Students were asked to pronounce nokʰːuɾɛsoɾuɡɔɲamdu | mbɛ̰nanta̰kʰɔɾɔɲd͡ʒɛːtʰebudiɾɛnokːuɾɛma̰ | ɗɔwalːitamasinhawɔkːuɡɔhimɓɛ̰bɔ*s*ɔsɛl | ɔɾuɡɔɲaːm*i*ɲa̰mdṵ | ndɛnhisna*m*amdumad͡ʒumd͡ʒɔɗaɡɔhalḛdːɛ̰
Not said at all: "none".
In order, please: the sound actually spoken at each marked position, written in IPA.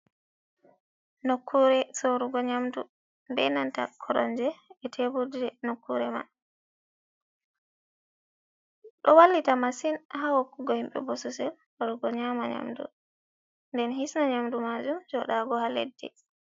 s, a, ɲ

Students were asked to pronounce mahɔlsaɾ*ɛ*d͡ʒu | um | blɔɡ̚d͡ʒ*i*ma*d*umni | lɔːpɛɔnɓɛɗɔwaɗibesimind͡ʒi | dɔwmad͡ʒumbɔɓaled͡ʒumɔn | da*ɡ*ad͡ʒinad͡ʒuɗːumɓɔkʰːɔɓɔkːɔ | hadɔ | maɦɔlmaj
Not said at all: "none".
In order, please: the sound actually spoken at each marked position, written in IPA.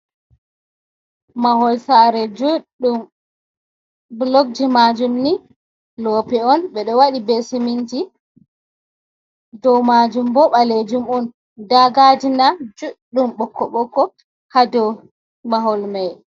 ɛ, i, d͡ʒ, ɡ

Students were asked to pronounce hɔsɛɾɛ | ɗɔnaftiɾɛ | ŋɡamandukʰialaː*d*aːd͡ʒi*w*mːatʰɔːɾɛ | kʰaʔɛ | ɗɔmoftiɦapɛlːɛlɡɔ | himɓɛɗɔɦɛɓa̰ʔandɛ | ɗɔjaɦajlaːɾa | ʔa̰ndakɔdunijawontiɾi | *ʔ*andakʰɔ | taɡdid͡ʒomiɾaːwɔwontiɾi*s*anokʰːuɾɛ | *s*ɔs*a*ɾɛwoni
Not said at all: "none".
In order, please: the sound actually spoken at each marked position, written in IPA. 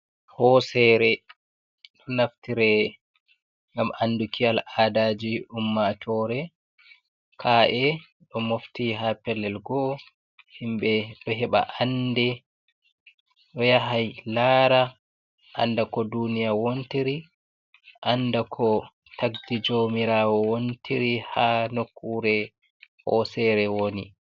d, u, ʔ, h, h, ɛ

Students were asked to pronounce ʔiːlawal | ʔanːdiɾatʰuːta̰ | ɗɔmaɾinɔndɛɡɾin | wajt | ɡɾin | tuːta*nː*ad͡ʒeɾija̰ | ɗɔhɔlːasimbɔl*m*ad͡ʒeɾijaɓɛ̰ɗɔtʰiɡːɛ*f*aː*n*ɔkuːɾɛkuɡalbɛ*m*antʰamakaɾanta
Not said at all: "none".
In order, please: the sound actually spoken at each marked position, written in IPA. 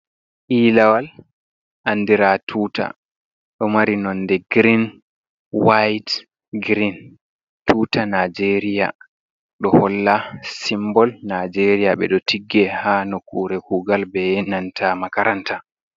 n, n, h, n, n

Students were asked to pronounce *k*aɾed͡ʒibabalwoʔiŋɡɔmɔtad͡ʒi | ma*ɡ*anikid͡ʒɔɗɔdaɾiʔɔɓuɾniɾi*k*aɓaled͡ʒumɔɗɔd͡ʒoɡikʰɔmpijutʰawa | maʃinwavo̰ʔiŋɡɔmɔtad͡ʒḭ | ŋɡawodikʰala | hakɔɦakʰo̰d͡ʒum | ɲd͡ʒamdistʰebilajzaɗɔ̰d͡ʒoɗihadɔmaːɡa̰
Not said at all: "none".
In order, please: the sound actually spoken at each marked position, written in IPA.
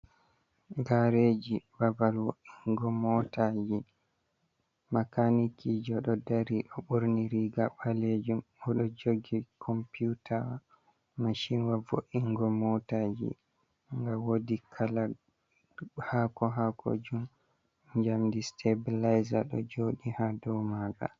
ɡ, k, ɡ

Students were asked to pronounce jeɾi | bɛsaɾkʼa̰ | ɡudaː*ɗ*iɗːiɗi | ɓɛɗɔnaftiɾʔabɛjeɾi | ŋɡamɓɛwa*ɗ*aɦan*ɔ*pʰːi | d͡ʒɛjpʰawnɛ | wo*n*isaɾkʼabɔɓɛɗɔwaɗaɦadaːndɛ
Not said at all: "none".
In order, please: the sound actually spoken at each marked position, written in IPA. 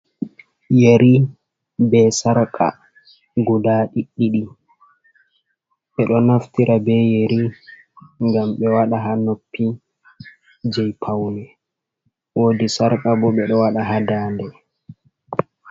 ɗ, ɗ, o, d

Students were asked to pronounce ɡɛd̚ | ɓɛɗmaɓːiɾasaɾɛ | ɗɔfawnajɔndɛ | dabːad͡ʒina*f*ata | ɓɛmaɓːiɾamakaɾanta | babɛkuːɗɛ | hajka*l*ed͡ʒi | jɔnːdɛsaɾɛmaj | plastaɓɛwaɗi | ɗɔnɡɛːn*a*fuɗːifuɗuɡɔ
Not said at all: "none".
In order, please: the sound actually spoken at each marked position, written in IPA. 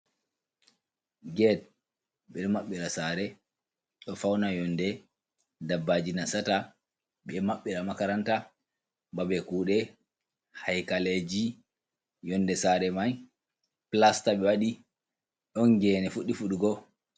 s, l, ɛ

